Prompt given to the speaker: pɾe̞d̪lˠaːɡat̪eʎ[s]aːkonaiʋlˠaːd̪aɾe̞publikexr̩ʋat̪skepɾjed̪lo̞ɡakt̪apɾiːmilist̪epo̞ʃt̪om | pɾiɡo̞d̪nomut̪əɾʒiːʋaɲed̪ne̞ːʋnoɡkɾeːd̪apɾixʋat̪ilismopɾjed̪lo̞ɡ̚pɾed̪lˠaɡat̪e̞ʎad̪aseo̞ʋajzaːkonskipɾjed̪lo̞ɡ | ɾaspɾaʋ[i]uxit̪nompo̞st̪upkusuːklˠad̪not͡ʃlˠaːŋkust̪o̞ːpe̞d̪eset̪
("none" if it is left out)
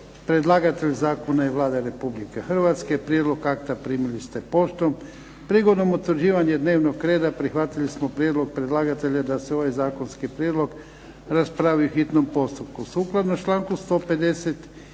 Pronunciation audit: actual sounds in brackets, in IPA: z, i

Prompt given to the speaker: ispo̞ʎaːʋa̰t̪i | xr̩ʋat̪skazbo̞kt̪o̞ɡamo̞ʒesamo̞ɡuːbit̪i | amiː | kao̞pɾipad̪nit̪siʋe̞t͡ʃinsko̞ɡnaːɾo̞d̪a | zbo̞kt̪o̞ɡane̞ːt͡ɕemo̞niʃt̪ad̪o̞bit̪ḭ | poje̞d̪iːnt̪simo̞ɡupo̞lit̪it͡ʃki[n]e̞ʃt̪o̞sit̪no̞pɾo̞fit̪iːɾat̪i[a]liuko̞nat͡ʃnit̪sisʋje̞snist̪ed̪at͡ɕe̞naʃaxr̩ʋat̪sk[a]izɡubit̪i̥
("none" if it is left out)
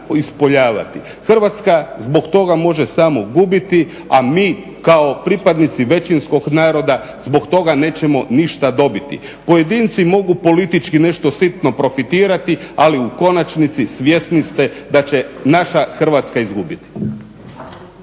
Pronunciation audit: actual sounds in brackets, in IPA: n, a, a

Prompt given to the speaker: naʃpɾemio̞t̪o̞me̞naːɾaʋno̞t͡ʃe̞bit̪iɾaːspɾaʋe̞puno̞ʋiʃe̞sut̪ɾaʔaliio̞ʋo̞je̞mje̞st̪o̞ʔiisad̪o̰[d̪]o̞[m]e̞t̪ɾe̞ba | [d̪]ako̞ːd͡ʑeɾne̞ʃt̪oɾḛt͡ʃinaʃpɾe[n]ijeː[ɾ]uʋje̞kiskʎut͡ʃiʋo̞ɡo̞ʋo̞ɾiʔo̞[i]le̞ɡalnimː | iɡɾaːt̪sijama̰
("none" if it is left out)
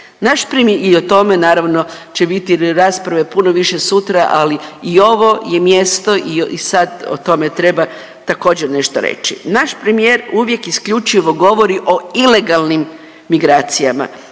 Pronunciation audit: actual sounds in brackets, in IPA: t̪, m, t̪, m, ɾ, i

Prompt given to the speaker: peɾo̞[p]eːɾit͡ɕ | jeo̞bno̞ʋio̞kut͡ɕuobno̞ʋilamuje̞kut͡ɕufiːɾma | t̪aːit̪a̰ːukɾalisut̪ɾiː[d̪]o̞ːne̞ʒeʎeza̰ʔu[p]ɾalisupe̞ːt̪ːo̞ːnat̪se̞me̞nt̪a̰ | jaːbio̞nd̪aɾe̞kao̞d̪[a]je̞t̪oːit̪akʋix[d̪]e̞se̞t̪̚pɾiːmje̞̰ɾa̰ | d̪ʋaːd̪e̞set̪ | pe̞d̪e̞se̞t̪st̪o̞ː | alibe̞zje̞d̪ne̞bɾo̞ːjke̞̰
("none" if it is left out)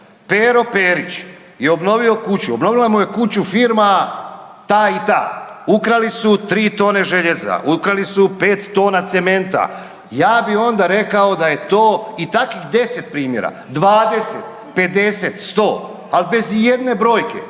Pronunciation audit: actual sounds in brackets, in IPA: p, t̪, k, a, d̪

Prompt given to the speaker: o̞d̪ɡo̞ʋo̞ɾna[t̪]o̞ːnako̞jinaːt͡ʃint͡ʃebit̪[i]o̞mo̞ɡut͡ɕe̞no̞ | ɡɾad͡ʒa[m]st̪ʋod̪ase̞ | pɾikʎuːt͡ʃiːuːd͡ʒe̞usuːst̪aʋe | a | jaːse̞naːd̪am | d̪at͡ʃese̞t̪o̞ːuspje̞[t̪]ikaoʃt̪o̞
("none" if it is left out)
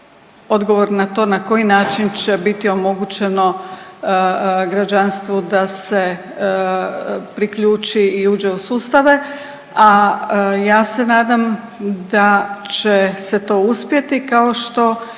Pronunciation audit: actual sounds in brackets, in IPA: t̪, i, n, t̪

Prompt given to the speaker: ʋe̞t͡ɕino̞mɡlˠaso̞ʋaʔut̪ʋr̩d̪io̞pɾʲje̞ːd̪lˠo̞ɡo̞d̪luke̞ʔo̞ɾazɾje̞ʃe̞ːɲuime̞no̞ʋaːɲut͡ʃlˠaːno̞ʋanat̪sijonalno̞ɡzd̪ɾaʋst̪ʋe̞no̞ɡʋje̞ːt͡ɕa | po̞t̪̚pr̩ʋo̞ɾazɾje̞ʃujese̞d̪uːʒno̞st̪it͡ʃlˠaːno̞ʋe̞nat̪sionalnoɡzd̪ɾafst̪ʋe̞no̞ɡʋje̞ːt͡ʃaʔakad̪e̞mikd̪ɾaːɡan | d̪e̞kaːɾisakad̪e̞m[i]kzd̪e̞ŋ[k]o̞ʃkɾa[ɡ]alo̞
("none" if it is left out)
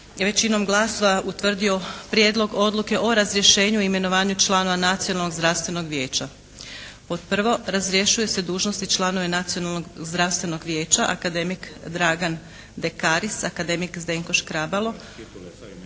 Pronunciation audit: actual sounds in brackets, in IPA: i, k, b

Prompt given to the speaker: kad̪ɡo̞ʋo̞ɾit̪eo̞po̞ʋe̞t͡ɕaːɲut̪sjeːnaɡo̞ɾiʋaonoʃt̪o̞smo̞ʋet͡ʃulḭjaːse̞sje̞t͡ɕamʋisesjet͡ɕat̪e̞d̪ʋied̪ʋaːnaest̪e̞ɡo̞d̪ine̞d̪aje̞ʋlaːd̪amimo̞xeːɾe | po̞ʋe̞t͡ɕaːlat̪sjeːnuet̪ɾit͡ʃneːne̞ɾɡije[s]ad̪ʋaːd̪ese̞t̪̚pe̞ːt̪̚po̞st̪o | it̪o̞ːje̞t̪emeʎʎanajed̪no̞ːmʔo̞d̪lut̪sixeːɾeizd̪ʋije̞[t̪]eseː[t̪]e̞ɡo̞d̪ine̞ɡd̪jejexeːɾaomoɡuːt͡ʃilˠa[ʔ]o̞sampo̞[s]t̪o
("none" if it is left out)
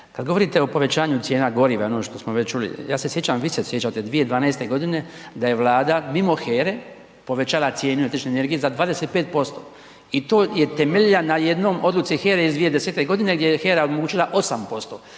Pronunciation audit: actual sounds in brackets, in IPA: z, d̪, t̪, ʔ, s

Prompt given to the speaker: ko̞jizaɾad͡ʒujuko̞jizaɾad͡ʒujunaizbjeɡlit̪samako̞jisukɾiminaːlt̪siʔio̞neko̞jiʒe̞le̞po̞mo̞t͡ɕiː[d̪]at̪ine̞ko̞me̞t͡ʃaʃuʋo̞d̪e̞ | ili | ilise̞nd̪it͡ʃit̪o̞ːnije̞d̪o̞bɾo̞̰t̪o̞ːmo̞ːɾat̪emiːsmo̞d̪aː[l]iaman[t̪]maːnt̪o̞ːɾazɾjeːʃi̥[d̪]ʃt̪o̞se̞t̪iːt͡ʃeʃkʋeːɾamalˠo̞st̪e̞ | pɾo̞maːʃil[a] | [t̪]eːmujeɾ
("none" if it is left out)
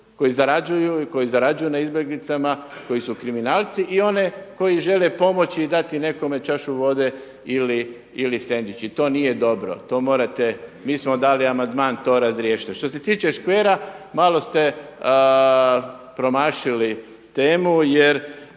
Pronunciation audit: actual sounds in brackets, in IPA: d̪, l, d̪, t̪, i, t̪

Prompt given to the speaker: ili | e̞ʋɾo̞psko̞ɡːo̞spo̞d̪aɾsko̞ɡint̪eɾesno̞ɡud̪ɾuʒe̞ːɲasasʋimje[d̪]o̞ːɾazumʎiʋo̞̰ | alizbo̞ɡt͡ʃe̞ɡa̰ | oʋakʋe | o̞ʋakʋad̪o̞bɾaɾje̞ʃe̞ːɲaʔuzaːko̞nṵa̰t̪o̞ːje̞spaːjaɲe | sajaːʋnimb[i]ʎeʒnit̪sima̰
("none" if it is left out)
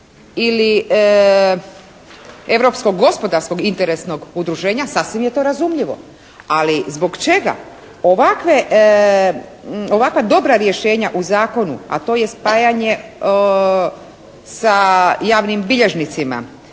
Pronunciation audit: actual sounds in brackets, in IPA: t̪, i

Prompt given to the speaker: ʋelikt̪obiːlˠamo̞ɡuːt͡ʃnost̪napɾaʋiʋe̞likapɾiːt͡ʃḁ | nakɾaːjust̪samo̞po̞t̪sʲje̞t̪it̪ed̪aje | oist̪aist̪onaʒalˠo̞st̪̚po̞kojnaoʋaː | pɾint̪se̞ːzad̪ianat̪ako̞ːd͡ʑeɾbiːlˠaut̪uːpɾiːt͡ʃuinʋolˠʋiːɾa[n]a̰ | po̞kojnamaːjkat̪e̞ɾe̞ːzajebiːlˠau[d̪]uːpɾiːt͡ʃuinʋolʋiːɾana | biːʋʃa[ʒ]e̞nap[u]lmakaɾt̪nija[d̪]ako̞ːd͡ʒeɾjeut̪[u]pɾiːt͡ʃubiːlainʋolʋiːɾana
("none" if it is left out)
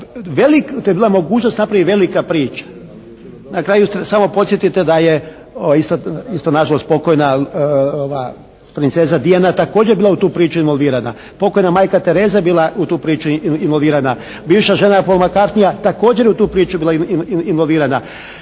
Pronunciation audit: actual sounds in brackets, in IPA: n, t̪, ʒ, o, t̪, uː

